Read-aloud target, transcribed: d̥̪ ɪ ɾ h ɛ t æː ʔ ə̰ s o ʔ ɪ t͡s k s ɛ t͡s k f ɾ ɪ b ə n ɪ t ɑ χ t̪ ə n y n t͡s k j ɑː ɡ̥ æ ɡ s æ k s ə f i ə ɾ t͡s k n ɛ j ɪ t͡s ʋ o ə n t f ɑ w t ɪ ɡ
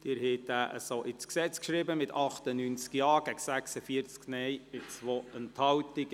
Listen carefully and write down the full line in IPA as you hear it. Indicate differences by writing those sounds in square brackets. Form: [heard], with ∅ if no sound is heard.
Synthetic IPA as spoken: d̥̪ ɪ ɾ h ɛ t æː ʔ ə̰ s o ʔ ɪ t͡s k s ɛ t͡s k [ʃ] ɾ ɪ b ə [m] ɪ t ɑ χ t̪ ə n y n t͡s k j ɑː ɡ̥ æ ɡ s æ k s ə f i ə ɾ t͡s k n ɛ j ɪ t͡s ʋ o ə n t [h] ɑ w t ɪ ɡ